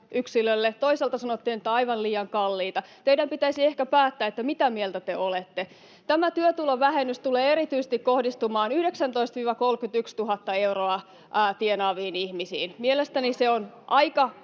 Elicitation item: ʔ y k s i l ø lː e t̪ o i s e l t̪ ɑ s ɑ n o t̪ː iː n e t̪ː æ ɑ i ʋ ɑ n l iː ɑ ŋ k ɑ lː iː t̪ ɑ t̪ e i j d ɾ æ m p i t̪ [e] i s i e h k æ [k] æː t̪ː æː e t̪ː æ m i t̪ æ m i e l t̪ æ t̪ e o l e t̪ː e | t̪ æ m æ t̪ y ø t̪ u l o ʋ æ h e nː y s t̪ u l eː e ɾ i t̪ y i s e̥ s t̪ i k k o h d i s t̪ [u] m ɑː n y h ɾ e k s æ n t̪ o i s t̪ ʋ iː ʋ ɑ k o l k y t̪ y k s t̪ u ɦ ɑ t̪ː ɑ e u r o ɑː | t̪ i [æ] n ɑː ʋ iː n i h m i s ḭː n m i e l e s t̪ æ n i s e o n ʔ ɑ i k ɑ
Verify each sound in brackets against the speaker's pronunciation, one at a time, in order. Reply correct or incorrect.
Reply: incorrect: æ, incorrect: p, correct, incorrect: e

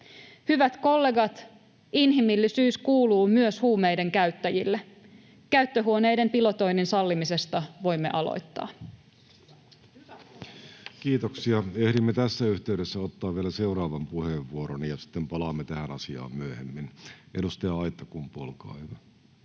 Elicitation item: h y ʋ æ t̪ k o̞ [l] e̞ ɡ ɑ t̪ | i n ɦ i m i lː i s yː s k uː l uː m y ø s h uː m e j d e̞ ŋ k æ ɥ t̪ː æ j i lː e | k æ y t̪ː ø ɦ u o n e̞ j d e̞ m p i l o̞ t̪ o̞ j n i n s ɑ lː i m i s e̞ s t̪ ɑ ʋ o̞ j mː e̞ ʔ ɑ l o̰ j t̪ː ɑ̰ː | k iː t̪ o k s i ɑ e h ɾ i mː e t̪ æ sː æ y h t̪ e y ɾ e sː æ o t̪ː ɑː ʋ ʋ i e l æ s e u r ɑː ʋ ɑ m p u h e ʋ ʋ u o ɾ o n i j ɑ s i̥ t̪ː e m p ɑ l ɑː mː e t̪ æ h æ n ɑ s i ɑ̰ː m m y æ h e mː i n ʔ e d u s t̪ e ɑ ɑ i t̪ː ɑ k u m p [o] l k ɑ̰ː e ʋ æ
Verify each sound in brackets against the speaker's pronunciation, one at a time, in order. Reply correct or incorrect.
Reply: incorrect: lː, correct

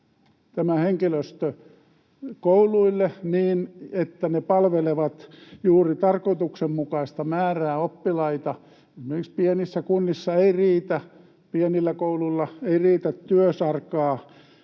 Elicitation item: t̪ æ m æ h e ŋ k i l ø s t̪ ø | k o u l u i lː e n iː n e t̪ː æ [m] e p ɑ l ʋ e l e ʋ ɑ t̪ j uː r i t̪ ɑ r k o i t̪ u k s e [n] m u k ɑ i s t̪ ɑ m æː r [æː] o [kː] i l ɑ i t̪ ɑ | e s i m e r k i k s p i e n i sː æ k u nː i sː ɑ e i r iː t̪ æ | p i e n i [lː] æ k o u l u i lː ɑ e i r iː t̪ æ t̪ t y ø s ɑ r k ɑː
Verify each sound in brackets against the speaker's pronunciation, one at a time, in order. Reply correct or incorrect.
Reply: incorrect: n, incorrect: m, correct, incorrect: pː, correct

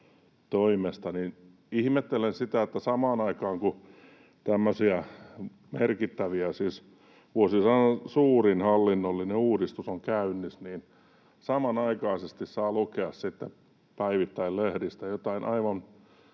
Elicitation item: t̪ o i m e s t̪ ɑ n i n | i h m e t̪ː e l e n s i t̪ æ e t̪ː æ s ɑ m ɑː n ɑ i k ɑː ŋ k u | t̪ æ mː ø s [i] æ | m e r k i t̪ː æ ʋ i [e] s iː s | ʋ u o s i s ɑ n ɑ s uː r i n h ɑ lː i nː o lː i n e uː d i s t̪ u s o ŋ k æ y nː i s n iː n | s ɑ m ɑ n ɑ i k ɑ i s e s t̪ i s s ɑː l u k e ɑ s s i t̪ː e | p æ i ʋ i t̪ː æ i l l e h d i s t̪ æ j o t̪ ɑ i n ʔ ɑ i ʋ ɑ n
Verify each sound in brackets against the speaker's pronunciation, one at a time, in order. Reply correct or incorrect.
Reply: correct, incorrect: æ

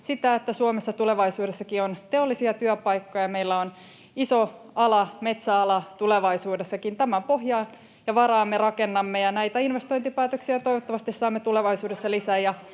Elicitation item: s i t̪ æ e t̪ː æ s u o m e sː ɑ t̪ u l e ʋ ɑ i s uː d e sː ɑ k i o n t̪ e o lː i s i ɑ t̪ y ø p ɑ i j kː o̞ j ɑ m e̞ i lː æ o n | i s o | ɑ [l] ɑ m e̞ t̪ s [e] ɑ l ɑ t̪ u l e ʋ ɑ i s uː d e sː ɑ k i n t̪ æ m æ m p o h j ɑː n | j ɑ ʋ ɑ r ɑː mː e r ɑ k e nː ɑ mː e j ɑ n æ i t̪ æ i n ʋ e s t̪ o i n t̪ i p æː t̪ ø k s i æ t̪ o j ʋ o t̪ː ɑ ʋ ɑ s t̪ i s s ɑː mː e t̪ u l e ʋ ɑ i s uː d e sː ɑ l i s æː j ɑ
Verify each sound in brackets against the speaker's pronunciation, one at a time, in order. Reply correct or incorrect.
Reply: correct, incorrect: æ

